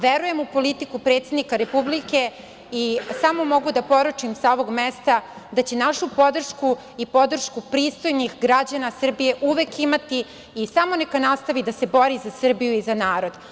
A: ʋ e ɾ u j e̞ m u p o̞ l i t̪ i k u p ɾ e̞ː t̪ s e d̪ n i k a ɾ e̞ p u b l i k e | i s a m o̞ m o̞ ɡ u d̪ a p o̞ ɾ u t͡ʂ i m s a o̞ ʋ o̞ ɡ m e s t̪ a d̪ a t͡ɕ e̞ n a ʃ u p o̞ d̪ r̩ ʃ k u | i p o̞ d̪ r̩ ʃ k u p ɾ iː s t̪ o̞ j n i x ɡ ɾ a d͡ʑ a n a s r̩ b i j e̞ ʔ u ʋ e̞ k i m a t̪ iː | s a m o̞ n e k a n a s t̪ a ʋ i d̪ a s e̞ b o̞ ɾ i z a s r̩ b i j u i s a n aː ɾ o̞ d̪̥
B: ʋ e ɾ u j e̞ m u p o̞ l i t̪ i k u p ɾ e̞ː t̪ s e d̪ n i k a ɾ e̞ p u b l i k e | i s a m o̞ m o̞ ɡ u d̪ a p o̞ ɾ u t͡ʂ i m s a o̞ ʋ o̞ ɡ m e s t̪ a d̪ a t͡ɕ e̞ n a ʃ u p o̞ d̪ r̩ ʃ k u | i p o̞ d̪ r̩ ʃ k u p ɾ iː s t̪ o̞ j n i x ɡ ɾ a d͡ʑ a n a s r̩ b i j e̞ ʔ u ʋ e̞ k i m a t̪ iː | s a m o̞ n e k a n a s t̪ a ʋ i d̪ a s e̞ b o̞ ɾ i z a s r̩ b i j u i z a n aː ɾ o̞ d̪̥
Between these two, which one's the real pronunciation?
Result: B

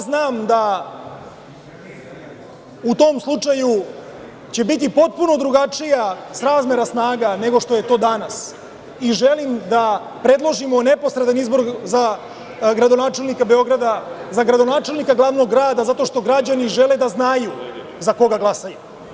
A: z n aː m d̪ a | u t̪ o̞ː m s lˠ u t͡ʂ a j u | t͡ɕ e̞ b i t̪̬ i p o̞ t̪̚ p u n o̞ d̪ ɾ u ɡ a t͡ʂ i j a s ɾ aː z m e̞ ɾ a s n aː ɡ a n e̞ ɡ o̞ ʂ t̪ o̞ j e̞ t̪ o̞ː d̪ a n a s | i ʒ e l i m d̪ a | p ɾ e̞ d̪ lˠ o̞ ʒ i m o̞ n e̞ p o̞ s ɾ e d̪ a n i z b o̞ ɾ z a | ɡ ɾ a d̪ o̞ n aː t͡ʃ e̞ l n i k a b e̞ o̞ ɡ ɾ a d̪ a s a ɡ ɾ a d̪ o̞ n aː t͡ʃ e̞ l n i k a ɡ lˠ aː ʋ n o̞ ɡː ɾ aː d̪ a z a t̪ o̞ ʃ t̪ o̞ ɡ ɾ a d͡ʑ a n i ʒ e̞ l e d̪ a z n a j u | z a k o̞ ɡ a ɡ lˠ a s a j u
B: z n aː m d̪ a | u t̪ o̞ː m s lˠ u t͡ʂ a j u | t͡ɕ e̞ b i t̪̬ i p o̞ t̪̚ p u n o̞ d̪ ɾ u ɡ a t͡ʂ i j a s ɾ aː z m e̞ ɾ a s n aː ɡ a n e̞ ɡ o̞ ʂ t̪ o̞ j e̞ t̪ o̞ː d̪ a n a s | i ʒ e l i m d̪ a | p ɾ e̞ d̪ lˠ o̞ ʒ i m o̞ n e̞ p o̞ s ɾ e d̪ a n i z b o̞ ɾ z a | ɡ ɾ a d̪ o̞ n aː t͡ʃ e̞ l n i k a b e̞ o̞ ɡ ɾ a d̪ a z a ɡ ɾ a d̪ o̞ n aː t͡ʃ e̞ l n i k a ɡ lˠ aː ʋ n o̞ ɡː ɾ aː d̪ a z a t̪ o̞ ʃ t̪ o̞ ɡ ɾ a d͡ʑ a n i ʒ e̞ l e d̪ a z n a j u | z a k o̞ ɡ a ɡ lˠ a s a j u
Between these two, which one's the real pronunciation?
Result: B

